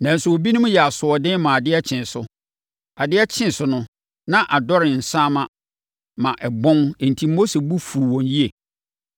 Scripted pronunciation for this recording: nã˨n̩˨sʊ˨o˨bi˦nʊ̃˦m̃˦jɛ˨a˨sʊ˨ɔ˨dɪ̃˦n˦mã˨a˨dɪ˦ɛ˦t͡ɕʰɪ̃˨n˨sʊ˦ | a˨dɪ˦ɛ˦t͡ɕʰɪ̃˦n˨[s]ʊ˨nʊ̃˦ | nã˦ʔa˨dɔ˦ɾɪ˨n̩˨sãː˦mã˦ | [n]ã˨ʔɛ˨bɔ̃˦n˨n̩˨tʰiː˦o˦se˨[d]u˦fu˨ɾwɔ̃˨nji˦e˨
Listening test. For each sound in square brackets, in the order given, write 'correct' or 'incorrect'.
correct, incorrect, incorrect

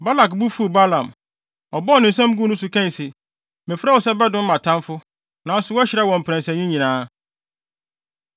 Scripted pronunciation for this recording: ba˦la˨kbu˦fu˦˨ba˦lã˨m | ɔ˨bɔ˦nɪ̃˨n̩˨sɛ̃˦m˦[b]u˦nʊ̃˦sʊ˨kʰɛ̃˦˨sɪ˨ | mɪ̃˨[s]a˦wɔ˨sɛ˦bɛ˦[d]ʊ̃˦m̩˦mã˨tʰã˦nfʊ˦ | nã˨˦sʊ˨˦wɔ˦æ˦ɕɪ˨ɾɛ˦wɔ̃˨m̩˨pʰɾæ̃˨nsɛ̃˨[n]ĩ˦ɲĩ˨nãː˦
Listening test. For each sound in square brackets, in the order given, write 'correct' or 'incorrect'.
incorrect, incorrect, correct, incorrect

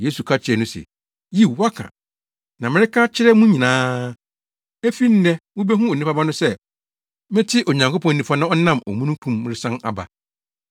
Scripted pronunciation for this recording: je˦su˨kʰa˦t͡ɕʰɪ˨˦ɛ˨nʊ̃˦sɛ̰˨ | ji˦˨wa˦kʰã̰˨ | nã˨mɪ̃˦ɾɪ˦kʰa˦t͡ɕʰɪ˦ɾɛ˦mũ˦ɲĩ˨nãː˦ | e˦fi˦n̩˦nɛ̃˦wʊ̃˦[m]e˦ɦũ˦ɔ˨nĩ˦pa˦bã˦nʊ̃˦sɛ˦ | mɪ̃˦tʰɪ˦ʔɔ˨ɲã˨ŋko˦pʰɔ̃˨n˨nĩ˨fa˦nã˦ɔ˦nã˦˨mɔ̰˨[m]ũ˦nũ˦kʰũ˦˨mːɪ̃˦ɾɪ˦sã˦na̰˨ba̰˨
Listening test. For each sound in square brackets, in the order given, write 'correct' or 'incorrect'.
incorrect, correct

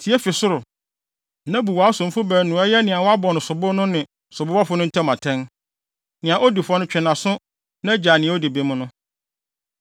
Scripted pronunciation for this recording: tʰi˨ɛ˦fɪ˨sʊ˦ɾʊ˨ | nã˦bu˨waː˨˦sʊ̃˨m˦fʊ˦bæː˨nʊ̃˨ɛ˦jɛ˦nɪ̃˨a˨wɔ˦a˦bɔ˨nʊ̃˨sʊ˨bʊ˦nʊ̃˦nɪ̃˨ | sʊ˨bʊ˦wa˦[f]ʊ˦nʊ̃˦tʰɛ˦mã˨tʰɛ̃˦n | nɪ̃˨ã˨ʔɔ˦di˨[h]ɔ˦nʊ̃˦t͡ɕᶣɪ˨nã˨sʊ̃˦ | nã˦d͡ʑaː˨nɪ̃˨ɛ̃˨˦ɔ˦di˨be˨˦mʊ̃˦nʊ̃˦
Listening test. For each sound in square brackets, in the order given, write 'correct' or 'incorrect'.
correct, incorrect

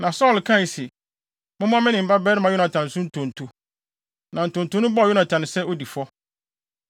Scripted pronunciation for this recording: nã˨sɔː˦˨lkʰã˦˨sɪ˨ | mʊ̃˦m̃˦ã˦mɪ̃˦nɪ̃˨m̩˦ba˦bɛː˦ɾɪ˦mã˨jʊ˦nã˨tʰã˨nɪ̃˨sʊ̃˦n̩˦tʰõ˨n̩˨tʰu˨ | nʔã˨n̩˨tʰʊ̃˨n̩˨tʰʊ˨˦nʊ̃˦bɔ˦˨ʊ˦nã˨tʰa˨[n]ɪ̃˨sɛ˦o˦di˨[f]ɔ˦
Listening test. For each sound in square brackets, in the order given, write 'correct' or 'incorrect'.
correct, correct

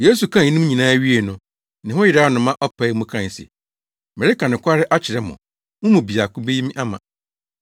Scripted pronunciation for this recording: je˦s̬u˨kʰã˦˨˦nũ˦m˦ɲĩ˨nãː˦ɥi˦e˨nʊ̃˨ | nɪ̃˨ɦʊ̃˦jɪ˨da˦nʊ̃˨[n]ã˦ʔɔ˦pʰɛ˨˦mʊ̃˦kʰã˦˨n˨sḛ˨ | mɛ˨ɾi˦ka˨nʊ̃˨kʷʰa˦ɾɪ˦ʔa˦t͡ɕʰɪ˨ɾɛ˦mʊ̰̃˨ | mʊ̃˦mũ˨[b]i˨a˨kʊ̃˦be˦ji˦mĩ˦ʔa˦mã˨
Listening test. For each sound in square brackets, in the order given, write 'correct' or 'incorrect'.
incorrect, correct

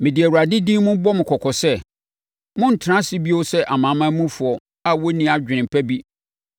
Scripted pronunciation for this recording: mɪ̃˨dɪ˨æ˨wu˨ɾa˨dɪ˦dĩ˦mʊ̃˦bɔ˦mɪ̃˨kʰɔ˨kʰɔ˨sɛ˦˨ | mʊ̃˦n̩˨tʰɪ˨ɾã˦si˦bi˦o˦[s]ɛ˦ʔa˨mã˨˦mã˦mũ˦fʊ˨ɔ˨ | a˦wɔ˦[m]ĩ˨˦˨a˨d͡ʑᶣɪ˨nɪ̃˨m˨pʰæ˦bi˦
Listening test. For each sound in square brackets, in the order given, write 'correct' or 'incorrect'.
correct, incorrect

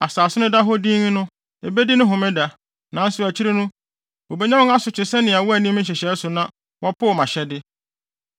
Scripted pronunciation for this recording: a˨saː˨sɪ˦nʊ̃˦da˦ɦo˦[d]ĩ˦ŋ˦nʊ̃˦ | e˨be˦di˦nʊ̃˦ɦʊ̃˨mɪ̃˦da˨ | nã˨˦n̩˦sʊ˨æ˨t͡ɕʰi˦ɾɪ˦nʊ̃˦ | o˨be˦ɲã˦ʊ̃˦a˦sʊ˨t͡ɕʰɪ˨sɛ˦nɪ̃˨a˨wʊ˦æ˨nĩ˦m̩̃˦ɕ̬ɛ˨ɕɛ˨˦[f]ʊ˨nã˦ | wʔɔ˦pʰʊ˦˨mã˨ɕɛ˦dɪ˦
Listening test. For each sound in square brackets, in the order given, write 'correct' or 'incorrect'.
correct, incorrect

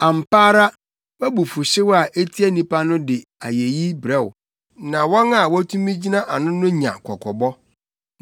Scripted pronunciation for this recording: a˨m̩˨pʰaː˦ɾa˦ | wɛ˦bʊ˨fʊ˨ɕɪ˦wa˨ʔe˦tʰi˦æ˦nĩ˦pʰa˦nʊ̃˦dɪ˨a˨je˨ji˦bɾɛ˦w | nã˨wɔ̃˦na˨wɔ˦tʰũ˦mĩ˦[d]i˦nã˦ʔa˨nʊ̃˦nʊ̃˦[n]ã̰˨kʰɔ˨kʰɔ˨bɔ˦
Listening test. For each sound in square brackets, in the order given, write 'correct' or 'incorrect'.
incorrect, incorrect

